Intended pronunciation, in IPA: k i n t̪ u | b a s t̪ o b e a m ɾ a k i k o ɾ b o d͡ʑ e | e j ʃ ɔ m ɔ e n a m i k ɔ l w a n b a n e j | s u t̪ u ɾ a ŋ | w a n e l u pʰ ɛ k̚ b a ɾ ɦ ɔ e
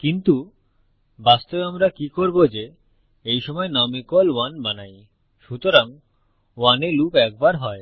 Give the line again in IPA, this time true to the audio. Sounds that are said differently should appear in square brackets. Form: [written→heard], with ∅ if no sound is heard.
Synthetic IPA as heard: k i n t̪ u | b a s t̪ o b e a m ɾ a k i k o ɾ b o d͡ʑ e | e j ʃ ɔ m ɔ e n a m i k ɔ l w a n b a n [e→a] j | [s→ʃ] u t̪ [u→o] ɾ a ŋ | w a n e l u [pʰ→p] ɛ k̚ b a ɾ ɦ ɔ e